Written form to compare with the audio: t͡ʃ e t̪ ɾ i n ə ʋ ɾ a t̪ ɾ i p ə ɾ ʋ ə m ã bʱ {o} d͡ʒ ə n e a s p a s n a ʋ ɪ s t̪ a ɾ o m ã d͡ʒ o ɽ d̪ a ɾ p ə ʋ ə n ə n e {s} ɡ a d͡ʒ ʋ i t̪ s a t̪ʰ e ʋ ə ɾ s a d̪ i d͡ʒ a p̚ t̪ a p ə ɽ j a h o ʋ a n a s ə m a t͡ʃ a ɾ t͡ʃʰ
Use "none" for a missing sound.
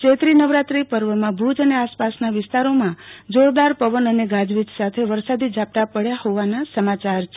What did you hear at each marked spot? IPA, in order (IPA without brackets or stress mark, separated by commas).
u, none